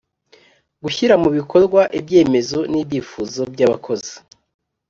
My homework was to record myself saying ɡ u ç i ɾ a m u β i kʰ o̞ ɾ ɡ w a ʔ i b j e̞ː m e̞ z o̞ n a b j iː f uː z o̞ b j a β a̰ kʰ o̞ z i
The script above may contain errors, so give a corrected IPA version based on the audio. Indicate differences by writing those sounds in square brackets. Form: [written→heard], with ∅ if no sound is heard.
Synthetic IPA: ɡ u ç i ɾ a m u β i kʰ o̞ ɾ ɡ w a ʔ i b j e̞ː m e̞ z o̞ n [a→i] b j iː f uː z o̞ b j a β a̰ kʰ o̞ z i